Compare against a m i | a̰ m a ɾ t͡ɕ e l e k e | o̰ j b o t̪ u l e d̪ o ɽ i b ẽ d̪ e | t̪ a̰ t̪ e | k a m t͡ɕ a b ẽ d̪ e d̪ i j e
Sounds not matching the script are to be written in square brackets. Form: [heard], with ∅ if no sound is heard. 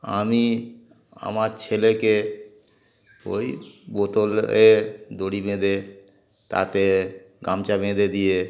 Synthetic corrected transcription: a m i | a̰ m a ɾ [t͡ɕʰ] e l e k e | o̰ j b o t̪ [o] l e d̪ o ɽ i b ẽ d̪ e | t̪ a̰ t̪ e | [ɡ] a m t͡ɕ a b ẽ d̪ e d̪ i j e